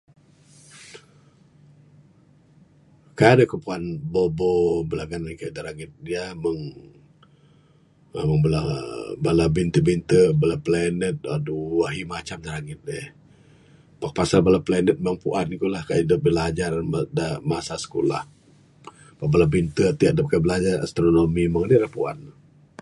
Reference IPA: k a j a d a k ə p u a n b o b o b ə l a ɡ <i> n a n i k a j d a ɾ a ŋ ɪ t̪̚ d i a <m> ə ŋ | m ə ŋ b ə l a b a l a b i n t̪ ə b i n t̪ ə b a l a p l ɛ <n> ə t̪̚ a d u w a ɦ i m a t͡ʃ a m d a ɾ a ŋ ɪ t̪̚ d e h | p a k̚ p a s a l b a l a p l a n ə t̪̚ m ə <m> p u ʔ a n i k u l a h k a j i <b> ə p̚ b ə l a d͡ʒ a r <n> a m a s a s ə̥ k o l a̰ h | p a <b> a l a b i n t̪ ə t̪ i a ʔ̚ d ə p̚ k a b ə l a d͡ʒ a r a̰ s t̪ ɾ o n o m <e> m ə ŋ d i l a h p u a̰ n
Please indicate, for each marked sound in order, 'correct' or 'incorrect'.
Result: incorrect, correct, correct, incorrect, incorrect, incorrect, correct, incorrect

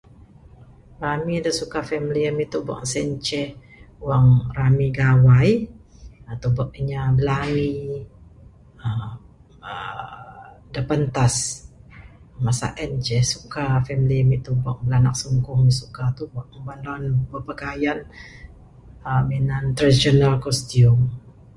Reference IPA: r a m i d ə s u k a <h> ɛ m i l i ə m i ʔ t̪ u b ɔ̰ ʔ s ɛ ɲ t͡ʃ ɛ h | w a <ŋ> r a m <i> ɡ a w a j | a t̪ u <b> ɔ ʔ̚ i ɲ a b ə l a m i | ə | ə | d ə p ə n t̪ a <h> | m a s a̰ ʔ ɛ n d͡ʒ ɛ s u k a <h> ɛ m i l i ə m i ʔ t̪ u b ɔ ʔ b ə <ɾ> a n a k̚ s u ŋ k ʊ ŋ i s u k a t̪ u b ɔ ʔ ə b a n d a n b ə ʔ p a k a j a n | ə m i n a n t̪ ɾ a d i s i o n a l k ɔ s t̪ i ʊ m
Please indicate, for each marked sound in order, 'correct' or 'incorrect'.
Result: incorrect, correct, correct, correct, incorrect, incorrect, incorrect

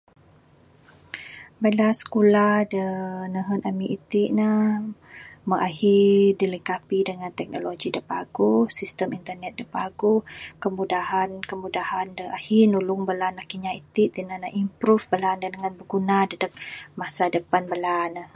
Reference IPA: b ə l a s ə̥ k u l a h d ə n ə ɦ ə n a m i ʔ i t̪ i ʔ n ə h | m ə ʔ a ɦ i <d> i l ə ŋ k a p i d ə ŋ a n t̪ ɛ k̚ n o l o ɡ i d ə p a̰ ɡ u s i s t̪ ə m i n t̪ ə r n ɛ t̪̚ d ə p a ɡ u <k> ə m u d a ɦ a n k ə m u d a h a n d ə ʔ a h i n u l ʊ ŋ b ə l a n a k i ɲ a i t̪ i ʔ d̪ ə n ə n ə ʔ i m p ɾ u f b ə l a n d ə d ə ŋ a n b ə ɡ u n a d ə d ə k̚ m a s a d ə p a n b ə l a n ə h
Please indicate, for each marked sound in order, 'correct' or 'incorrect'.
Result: correct, correct

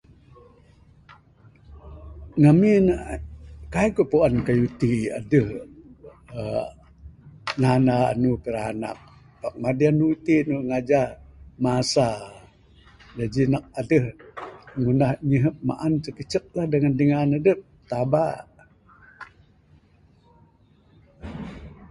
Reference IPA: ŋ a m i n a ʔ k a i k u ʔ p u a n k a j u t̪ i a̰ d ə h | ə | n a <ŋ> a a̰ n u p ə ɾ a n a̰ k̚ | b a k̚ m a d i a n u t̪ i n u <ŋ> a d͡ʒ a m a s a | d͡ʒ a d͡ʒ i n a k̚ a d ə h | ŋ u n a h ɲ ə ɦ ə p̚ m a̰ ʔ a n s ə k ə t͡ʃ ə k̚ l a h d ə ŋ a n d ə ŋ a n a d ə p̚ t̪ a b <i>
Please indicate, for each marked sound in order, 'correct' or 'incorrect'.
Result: incorrect, correct, incorrect

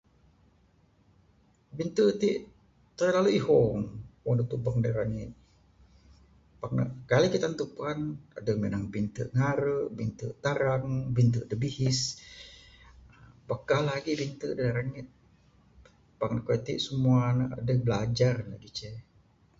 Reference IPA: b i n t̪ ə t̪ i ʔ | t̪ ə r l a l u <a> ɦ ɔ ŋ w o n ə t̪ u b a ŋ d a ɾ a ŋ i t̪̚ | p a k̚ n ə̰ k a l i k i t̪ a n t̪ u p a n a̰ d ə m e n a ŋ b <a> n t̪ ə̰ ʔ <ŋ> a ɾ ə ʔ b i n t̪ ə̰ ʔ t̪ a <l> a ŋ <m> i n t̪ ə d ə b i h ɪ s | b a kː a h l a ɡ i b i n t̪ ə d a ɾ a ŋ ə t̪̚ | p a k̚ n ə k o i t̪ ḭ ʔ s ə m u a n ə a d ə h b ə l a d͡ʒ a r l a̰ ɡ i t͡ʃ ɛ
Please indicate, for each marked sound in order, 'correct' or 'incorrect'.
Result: incorrect, incorrect, correct, incorrect, incorrect

